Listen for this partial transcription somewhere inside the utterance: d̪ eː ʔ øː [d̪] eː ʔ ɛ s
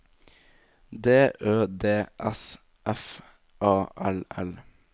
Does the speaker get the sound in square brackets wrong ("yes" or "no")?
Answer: no